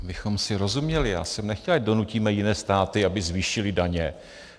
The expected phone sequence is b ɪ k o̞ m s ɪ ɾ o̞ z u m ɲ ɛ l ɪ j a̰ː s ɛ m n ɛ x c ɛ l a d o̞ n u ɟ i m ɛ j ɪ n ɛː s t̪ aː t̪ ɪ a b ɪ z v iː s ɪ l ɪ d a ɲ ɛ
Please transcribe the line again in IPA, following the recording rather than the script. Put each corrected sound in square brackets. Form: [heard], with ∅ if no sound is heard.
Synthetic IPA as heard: b ɪ [x] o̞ m s ɪ ɾ o̞ z u m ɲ ɛ l ɪ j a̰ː s ɛ m n ɛ x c ɛ l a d o̞ n u [c] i m ɛ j ɪ n ɛː s t̪ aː t̪ ɪ a b ɪ z v iː [ʃ] ɪ l ɪ d a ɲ ɛ